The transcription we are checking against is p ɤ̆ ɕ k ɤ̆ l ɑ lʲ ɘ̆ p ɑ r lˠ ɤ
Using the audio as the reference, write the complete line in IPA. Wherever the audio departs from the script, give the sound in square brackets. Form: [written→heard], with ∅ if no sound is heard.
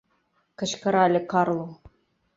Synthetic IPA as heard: [p→k] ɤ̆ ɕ k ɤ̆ [l→ɾ] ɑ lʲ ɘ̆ [p→k] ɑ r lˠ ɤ

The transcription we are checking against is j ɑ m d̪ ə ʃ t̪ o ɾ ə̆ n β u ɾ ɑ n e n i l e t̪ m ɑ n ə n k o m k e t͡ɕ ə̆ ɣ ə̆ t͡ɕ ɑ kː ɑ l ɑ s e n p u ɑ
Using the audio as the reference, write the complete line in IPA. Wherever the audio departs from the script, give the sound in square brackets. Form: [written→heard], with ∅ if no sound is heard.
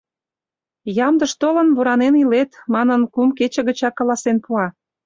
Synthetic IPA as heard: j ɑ m d̪ ə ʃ t̪ o [ɾ→l] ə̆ n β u ɾ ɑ n e n i l e t̪ m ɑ n ə n k [o→u] m k e t͡ɕ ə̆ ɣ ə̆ t͡ɕ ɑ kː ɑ l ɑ s e n p u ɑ

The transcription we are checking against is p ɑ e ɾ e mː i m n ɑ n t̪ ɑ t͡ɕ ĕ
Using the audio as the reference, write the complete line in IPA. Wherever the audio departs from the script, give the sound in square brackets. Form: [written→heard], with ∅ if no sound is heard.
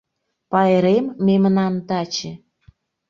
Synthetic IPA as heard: p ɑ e ɾ e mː [i→e] m n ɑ n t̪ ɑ t͡ɕ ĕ

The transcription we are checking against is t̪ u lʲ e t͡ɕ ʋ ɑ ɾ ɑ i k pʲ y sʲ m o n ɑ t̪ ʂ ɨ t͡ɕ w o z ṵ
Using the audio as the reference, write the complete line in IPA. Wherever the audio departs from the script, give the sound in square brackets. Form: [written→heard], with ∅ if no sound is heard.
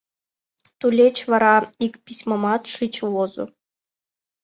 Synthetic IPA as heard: t̪ u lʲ e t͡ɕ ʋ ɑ ɾ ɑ i k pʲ [y→i] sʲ m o [n→m] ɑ t̪ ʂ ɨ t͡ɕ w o z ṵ

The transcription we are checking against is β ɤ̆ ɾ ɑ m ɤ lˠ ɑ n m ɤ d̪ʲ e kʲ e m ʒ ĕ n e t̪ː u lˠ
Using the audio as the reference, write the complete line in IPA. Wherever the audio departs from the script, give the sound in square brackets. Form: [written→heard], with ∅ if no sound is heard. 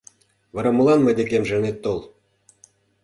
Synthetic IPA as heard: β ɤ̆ ɾ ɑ m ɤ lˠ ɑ n m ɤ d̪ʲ e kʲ e m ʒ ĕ n e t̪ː [u→o] lˠ

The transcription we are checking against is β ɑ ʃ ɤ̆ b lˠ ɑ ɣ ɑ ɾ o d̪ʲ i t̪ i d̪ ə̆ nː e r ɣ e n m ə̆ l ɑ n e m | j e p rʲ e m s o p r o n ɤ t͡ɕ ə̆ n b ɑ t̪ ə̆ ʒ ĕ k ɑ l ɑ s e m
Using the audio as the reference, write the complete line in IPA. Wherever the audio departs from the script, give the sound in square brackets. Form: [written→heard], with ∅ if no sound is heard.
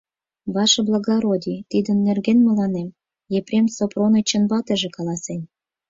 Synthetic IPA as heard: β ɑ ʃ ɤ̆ b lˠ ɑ ɣ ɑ ɾ o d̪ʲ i t̪ i d̪ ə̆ nː e r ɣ e n m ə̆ l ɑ n e m | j e p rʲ e m s o p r o n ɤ t͡ɕ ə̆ n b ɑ t̪ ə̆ ʒ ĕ k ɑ l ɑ s e [m→n]

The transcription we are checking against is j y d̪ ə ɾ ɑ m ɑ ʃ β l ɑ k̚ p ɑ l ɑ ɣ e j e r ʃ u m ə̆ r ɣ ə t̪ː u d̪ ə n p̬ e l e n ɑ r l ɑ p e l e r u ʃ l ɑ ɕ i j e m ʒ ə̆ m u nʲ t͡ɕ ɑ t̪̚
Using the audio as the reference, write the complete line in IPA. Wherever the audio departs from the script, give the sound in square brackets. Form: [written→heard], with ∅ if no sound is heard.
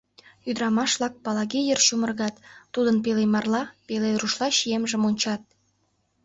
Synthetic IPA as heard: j y d̪ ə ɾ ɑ m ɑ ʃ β l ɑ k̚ p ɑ l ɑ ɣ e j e r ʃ u m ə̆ r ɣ [ə→ɑ] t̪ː u d̪ ə n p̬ e l e [n→m] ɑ r l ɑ p e l e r u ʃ l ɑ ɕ i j e m ʒ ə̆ m [u→o] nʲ t͡ɕ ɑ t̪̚

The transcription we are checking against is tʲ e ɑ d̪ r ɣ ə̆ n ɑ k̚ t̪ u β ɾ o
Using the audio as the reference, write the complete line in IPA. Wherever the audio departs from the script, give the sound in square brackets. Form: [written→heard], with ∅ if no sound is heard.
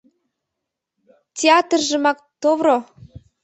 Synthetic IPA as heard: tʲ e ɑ [d̪→t̪] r [ɣ→ʒ] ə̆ [n→m] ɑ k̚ t̪ [u→o] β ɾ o

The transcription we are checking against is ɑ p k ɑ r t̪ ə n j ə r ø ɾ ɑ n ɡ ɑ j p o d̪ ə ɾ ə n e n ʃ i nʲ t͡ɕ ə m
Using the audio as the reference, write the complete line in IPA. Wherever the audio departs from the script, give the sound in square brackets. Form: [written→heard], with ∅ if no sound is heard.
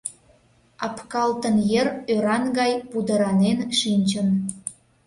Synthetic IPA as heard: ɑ p k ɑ [r→l] t̪ ə n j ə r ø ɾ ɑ n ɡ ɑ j p [o→u] d̪ ə ɾ [ə→ɑ] n e n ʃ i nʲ t͡ɕ ə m

